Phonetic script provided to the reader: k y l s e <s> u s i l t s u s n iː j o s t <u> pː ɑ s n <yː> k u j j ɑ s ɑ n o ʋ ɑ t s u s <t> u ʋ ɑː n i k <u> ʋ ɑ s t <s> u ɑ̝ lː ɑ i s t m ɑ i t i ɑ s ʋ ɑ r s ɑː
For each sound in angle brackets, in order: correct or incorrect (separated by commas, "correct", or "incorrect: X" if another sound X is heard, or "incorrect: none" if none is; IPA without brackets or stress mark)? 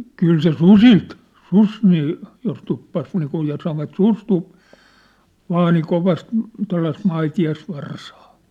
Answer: correct, correct, incorrect: iː, correct, incorrect: o, incorrect: t